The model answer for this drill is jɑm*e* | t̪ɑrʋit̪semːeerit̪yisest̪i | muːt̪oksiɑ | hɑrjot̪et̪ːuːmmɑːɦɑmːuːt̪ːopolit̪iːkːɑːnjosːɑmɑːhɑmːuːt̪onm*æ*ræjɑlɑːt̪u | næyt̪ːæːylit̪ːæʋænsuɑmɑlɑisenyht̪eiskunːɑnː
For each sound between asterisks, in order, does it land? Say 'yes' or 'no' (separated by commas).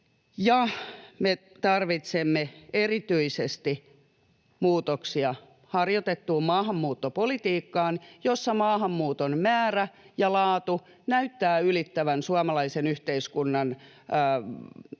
yes, no